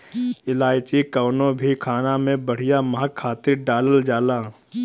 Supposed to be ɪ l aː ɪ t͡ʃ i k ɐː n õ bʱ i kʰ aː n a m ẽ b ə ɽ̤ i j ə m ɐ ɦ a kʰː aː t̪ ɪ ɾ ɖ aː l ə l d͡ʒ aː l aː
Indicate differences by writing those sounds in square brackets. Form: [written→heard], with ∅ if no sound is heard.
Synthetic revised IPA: ɪ l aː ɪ t͡ʃ i k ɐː n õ bʱ i kʰ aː n a m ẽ b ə ɽ̤ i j [ə→a] m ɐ ɦ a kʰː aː t̪ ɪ ɾ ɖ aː l ə l d͡ʒ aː l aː